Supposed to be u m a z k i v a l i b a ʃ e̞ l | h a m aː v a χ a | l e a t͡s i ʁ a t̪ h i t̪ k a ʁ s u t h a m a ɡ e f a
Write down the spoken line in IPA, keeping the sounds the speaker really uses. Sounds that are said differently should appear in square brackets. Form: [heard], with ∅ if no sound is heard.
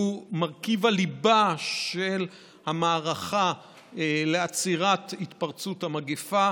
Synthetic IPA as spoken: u m a [ʁ] k i v a l i b a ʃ e̞ l | h a m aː [ʁ] a χ a | l e a t͡s i ʁ a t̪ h i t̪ [p] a ʁ [t͡s] u t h a m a ɡ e f a